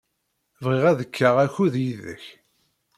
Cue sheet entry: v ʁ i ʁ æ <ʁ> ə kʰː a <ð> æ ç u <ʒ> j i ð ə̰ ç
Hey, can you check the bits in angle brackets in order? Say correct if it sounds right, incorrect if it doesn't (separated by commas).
incorrect, incorrect, incorrect